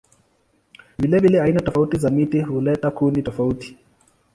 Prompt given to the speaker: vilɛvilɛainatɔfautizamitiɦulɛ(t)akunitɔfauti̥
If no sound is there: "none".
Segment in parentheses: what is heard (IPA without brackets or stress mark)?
t